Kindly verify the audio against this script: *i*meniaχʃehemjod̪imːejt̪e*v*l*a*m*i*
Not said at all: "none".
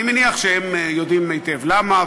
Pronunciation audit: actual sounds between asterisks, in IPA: i, v, a, a

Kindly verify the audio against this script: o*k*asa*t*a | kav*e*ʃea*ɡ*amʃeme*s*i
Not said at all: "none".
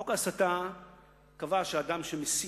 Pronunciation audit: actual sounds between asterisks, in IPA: k, t, a, d, s

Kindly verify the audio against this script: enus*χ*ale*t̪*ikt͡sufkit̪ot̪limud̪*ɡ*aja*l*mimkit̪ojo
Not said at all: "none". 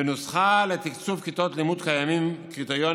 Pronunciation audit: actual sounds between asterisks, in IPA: χ, t̪, k, none

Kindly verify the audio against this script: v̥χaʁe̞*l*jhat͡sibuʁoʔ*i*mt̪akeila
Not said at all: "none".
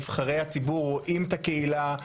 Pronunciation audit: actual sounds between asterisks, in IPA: none, i

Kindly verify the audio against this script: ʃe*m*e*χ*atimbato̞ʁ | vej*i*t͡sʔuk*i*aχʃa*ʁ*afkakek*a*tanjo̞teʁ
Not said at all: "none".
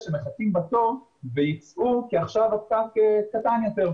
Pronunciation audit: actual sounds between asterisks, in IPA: m, χ, i, i, v, a

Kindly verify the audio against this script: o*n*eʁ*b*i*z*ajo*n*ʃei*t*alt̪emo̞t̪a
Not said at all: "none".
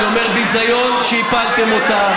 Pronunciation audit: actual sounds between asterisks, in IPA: m, b, z, n, p

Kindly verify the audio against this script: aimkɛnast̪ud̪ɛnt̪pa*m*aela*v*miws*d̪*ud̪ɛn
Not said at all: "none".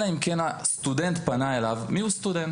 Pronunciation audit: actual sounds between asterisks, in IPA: n, v, t̪

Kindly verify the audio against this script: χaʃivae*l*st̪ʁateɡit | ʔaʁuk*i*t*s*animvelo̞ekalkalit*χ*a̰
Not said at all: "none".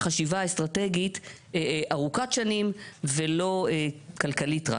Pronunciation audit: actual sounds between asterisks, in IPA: none, a, ʃ, ʁ

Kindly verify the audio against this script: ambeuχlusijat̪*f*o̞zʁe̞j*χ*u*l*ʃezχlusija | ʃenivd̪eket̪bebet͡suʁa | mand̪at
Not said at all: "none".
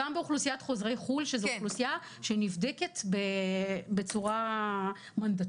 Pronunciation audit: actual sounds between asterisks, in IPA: χ, χ, l

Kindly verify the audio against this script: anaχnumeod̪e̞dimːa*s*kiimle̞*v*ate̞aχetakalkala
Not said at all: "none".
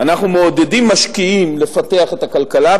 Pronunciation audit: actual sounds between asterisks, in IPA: ʃ, f

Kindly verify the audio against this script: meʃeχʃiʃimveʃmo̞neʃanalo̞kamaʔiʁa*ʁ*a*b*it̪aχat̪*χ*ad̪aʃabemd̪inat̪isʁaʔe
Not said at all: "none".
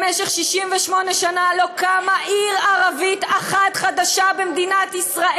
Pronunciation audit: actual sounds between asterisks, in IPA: ʁ, v, χ

